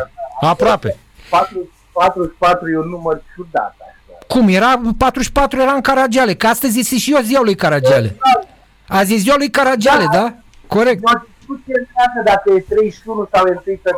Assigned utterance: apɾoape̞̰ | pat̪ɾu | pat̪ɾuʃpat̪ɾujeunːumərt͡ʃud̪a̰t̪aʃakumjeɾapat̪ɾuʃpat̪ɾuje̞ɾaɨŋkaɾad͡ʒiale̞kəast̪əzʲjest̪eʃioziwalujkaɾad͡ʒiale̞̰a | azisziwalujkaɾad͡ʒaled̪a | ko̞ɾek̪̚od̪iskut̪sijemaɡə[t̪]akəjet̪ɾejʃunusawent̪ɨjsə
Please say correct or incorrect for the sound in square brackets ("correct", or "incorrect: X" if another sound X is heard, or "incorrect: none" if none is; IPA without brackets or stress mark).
incorrect: d̪